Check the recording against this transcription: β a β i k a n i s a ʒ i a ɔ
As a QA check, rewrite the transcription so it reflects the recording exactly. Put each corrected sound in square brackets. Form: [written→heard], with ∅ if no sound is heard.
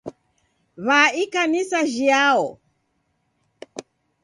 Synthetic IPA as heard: β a [β→∅] i k a n i s a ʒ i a ɔ